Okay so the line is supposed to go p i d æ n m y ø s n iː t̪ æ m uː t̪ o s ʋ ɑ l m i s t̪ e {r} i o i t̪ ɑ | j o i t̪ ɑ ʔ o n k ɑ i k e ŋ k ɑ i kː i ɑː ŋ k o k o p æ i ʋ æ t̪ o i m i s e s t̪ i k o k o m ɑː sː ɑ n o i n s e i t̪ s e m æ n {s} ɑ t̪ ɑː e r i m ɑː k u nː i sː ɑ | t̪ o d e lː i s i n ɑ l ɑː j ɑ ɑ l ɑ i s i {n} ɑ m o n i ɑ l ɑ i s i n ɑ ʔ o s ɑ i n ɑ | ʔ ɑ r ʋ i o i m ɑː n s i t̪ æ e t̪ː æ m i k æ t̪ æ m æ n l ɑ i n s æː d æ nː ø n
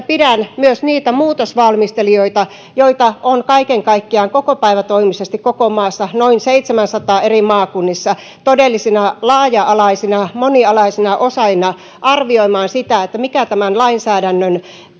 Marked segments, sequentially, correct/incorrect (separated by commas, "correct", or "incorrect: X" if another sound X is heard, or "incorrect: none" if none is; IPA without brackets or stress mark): incorrect: l, correct, correct